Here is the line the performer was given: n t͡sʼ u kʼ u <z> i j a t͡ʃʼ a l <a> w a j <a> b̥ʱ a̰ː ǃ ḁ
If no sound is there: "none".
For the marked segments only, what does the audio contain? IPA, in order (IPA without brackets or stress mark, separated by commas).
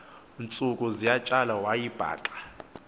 z, a, i